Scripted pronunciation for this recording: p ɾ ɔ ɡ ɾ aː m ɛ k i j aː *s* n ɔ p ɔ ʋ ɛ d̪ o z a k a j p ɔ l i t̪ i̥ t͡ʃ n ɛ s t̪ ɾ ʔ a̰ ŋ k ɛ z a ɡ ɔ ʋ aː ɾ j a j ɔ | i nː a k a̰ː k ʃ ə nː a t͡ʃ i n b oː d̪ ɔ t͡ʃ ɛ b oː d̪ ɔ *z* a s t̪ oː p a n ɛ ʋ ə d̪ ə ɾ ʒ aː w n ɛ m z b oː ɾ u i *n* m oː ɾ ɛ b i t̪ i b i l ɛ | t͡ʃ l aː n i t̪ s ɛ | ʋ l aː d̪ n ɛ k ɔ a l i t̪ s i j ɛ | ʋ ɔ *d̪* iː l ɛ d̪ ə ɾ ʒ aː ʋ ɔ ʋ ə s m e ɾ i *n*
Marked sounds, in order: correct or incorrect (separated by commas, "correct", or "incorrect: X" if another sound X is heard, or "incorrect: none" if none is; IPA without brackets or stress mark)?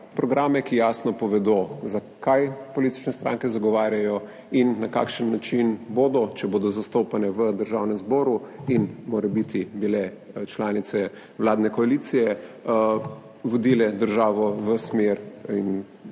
correct, correct, correct, correct, correct